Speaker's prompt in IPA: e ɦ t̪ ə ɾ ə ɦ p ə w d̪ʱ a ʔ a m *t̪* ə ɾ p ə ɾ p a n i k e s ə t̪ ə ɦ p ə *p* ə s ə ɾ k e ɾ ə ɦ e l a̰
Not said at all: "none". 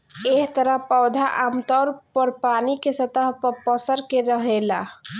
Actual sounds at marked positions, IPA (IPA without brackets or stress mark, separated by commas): t̪, p